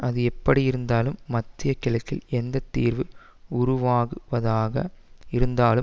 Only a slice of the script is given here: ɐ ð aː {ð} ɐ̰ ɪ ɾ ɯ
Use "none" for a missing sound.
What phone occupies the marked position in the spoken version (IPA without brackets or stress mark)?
ɣ